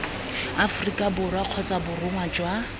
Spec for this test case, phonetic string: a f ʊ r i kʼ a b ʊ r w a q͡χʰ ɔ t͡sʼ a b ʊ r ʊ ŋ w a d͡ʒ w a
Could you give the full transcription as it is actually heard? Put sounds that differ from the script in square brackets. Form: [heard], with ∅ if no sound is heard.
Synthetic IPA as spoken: a f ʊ r i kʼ a b ʊ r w a q͡χʰ ɔ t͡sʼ a b ʊ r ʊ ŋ w a d͡ʒ w a